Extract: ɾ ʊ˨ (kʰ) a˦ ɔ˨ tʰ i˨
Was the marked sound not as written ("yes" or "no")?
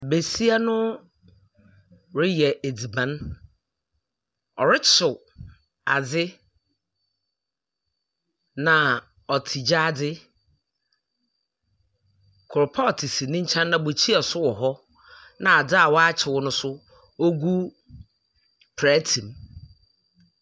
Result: yes